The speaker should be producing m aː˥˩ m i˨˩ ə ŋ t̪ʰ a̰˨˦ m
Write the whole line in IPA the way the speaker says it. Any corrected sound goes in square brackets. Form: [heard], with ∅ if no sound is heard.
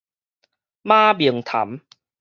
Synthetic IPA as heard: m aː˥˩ [b] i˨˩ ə ŋ t̪ʰ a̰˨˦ m

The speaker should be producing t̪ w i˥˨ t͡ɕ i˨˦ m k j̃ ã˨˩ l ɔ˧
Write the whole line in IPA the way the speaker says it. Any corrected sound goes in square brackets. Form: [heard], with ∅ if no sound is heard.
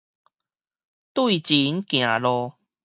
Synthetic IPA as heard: t̪ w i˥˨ t͡ɕ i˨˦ [n] k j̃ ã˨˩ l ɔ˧

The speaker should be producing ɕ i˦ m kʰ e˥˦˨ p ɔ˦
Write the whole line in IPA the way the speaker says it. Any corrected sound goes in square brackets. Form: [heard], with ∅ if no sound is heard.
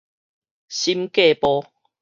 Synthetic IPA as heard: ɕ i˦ m [k] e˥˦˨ p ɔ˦

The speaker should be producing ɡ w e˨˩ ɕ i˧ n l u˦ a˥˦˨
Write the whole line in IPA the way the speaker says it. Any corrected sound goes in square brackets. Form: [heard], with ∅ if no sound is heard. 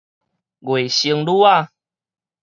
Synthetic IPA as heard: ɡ w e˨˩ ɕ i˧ [ŋ] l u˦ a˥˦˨

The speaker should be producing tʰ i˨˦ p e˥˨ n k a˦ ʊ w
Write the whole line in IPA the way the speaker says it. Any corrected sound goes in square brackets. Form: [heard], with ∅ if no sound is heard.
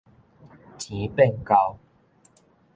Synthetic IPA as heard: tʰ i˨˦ p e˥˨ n k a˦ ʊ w

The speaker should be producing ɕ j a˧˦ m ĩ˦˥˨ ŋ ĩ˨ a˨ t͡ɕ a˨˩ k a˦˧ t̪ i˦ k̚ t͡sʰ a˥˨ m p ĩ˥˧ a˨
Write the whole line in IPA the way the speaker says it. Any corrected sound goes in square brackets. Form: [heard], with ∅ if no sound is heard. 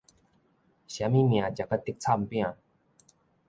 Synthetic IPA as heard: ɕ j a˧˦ m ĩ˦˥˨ [m] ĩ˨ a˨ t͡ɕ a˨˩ k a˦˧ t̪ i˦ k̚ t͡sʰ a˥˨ m p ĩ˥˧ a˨

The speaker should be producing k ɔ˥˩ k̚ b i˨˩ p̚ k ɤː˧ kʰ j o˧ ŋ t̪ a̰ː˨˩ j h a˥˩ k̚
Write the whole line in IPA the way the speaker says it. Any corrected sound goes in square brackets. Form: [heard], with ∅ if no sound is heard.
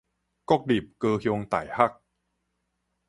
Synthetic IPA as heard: k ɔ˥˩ k̚ [d] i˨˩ p̚ k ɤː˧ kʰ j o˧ ŋ t̪ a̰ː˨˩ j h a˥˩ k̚

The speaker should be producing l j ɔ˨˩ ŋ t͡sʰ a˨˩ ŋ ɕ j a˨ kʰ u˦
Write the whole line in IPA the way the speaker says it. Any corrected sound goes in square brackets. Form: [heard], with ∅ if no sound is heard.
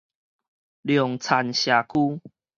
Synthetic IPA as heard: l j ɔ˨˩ ŋ t͡sʰ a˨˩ [n] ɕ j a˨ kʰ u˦

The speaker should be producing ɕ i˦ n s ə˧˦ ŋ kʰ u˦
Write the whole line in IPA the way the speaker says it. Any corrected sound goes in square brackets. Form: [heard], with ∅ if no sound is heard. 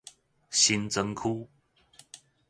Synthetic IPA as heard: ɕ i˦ n [t͡s] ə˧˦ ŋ kʰ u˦

